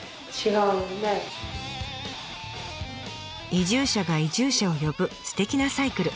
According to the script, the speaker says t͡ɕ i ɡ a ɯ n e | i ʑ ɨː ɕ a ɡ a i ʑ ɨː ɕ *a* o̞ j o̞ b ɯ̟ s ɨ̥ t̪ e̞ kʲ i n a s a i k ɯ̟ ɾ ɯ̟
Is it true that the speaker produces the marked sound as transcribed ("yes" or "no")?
yes